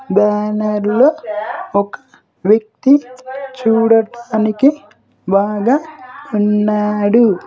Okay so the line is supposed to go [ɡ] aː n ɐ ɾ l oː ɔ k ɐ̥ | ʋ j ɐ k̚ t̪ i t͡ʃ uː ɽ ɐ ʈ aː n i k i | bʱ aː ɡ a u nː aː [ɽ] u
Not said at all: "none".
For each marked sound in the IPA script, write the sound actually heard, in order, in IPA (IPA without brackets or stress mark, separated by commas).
b, ɽ